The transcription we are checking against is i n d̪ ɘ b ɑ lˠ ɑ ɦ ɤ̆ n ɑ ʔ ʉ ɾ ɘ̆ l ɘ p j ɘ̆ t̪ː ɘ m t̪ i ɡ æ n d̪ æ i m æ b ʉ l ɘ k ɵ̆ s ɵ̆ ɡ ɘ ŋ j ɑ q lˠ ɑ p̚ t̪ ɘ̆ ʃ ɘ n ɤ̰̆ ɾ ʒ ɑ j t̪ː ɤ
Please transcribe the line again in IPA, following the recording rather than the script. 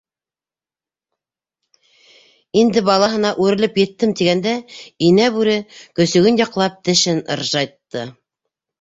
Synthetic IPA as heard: i n d̪ ɘ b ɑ lˠ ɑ ɦ ɤ̆ n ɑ ʔ ʉ ɾ ɘ̆ l ɘ p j ɘ̆ t̪ː ɘ m t̪ i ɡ æ n d̪ æ i n æ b ʉ ɾ ɘ k ɵ̆ s ɵ̆ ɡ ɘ n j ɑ q lˠ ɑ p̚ t̪ ɘ̆ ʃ ɘ n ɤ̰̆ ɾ ʒ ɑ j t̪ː ɤ

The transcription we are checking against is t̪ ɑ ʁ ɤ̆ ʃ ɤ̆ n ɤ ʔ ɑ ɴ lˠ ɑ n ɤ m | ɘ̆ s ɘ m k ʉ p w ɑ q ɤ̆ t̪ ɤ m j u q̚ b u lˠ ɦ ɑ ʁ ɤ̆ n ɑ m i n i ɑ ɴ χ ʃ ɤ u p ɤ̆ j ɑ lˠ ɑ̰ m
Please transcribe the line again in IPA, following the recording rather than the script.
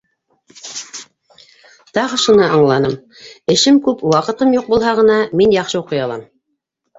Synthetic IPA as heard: t̪ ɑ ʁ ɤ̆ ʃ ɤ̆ n ɤ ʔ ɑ ɴ lˠ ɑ n ɤ m | ɘ̆ ʃ ɘ m k ʉ p w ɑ q ɤ̆ t̪ ɤ m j u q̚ b u lˠ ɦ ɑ ʁ ɤ̆ n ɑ m i n j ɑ χ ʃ ɤ u q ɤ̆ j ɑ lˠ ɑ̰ m

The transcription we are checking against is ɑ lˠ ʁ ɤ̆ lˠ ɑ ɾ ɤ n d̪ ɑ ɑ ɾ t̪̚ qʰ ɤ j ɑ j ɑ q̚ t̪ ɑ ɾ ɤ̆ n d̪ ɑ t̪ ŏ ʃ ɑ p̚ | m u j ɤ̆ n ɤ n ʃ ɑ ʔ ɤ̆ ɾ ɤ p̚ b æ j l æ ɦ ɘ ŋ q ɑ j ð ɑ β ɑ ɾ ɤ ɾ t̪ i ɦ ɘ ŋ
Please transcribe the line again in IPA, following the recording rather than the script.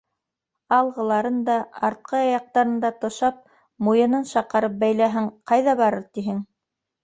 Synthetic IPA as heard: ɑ lˠ ʁ ɤ̆ lˠ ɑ ɾ ɤ n d̪ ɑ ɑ ɾ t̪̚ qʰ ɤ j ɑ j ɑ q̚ t̪ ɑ ɾ ɤ̆ n d̪ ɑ t̪ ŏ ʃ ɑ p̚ | m u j ɤ̆ n ɤ n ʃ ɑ q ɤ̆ ɾ ɤ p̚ b æ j l æ ɦ ɘ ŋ q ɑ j ð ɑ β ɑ ɾ ɤ ɾ t̪ i ɦ ɘ ŋ

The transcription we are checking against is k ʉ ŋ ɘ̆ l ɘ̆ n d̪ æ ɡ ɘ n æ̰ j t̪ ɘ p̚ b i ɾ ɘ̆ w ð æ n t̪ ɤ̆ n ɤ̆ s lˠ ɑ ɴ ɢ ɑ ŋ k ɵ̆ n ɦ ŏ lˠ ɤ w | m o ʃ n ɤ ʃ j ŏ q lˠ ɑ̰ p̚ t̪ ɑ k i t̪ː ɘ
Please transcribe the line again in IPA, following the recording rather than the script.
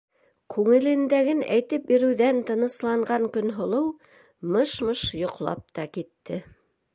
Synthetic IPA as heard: k ʉ ŋ ɘ̆ l ɘ̆ n d̪ æ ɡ ɘ n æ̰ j t̪ ɘ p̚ b i ɾ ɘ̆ w ð æ n t̪ ɤ̆ n ɤ̆ s lˠ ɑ ɴ ɢ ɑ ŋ k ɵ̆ n ɦ ŏ lˠ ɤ w | m ɤ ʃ m ɤ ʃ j ŏ q lˠ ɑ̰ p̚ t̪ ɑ k i t̪ː ɘ

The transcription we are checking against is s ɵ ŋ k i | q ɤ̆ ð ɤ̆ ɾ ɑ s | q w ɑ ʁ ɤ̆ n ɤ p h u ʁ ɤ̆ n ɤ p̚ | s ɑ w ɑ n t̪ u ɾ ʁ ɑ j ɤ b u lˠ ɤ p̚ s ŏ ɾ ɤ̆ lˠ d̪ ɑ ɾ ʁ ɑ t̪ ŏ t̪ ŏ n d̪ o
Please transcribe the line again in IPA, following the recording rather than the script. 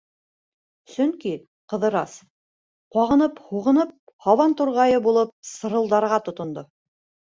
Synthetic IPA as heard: s ɵ ŋ k i | q ɤ̆ ð ɤ̆ ɾ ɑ s | q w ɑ ʁ ɤ̆ n ɤ p h u ʁ ɤ̆ n ɤ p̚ | h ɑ w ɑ n t̪ u ɾ ʁ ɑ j ɤ b u lˠ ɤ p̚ s ɤ̆ ɾ ɤ̆ lˠ d̪ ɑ ɾ ʁ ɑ t̪ ŏ t̪ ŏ n d̪ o

